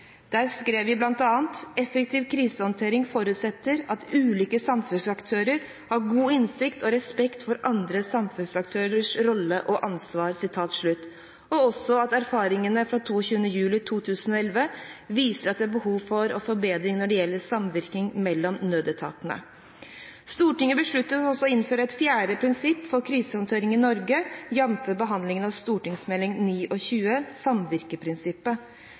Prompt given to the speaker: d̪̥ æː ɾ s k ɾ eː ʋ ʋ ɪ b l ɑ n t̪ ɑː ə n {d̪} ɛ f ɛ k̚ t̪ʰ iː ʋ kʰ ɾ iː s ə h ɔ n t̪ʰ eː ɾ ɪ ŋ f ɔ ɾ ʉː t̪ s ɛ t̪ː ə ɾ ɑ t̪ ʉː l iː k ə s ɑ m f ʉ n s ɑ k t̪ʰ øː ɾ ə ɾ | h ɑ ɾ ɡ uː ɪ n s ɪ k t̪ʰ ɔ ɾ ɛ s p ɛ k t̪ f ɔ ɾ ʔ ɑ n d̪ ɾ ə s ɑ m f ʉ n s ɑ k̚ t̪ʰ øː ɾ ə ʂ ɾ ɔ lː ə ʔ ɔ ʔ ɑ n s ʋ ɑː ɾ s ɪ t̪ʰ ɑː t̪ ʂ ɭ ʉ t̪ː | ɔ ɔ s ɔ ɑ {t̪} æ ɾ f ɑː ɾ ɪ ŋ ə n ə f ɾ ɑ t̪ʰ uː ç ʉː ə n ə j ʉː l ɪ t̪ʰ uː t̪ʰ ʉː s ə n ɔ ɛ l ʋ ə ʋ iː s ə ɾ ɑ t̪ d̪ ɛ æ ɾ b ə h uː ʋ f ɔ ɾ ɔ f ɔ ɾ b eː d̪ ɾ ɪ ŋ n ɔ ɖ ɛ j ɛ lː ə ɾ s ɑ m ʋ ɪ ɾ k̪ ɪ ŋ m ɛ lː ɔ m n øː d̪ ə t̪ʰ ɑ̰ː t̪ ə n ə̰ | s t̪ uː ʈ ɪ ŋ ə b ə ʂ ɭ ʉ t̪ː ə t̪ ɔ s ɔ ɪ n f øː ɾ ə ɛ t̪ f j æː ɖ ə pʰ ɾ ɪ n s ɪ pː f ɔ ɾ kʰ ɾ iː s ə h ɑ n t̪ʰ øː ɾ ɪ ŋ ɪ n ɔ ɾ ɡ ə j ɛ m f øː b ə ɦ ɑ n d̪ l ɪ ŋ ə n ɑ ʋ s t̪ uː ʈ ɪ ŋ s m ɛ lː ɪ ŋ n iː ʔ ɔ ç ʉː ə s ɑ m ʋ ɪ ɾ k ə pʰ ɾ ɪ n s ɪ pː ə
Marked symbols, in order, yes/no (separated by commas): no, yes